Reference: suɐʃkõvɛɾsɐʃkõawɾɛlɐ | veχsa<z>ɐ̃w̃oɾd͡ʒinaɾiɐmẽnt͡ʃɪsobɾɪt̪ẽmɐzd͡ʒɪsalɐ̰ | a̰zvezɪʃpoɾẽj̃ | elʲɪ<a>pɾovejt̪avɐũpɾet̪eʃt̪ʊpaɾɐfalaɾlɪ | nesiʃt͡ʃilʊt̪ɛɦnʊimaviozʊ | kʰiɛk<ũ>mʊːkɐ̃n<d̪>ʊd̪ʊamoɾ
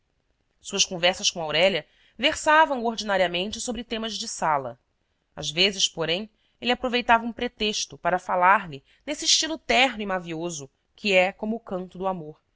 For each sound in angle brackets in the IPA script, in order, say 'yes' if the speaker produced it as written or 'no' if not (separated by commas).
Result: no, yes, no, no